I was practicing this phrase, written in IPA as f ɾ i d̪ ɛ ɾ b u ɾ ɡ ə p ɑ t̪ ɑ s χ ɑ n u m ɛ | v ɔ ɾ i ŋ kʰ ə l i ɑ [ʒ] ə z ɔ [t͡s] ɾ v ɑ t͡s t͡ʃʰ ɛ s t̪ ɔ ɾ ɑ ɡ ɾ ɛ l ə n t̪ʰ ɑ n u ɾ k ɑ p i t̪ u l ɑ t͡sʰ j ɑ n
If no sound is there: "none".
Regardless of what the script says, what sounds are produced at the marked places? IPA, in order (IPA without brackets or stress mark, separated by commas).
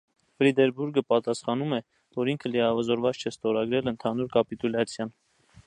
v, none